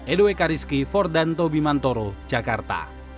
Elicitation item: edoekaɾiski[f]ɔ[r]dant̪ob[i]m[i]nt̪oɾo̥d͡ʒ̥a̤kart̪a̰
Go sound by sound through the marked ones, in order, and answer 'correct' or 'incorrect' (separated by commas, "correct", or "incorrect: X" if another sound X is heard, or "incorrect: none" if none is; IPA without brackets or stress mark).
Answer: correct, correct, correct, incorrect: a